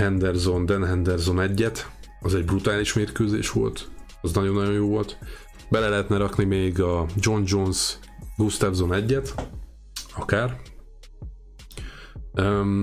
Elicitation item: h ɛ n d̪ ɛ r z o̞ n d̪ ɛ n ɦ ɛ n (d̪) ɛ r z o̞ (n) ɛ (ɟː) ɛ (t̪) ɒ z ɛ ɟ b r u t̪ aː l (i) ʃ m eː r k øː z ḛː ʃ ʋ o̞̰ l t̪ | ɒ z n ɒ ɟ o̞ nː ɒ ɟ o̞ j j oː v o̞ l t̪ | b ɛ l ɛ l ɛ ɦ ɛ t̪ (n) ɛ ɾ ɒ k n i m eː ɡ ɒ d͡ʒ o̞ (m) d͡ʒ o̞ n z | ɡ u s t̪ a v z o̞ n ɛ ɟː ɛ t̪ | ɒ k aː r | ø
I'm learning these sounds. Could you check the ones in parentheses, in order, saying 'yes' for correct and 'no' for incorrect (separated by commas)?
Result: yes, yes, yes, yes, yes, yes, no